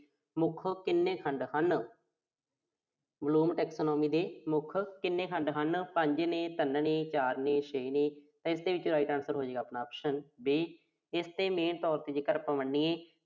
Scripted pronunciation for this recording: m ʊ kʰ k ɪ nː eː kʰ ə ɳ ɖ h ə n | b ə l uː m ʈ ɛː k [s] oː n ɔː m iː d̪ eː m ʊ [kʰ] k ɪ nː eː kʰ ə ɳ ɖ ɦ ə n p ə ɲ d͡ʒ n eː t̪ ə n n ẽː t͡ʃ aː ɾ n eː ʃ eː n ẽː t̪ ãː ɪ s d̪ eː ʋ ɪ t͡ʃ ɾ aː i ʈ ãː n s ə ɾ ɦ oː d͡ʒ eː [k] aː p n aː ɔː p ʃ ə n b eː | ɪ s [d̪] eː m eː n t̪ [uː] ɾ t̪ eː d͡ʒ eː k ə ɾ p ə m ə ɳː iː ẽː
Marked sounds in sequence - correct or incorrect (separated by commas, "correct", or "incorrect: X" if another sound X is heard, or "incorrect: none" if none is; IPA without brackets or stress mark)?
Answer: correct, correct, incorrect: ɡ, incorrect: t̪, incorrect: ɔː